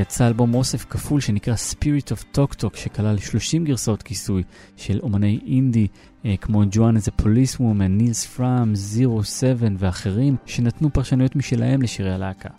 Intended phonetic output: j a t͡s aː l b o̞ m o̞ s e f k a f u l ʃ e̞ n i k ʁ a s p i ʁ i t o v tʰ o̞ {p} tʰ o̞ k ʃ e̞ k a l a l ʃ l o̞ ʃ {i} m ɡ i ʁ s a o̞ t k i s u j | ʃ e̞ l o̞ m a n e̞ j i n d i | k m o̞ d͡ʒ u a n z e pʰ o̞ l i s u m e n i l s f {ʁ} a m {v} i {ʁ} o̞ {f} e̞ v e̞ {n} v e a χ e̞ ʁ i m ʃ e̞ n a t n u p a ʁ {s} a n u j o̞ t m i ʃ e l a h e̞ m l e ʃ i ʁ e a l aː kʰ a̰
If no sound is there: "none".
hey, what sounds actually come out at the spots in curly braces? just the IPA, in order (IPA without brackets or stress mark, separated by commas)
k, i, ʁ, z, ʁ, s, n, ʃ